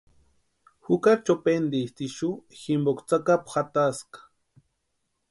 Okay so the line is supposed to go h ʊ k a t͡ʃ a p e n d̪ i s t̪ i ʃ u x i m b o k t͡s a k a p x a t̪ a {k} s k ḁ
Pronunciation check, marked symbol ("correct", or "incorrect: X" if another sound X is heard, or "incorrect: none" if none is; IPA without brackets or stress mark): incorrect: none